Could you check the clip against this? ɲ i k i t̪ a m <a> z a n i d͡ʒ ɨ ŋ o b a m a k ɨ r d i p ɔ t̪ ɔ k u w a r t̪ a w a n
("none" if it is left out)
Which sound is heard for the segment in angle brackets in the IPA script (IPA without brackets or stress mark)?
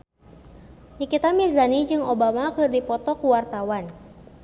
i